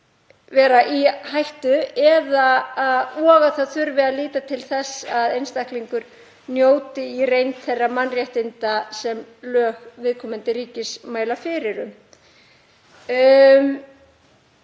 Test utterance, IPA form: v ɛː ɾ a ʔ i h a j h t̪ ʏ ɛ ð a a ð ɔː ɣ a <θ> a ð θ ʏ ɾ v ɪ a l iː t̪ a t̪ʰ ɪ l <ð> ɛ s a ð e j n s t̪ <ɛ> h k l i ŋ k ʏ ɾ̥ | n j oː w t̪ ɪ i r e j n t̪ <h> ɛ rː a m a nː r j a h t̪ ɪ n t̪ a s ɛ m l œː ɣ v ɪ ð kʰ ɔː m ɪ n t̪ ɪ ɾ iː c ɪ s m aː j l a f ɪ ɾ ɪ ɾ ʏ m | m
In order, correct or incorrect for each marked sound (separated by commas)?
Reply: correct, incorrect, incorrect, incorrect